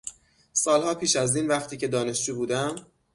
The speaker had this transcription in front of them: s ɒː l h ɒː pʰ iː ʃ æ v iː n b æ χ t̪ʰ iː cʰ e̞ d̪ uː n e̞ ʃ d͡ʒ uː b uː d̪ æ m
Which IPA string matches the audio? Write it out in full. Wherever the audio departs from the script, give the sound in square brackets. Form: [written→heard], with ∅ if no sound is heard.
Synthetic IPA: s ɒː l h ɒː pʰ iː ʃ æ [v→z] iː n [b→v] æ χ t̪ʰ iː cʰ e̞ d̪ [uː→ɒː] n e̞ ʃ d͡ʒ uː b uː d̪ æ m